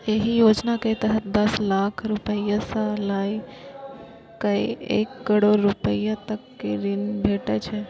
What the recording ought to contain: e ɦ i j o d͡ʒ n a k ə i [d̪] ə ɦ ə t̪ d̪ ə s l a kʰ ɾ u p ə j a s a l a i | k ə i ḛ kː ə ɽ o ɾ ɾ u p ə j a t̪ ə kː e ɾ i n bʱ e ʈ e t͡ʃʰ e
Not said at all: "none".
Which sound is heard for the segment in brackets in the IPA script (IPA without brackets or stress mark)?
t̪